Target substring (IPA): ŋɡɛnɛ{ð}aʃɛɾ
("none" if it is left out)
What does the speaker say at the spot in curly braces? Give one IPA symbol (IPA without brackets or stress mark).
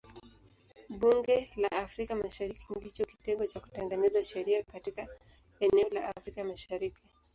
z